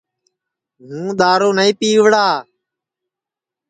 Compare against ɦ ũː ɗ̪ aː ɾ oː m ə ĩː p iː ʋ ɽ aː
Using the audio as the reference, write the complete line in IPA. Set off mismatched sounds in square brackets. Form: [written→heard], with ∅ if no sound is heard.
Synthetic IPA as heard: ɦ ũː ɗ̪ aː ɾ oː [m→n] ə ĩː p iː ʋ ɽ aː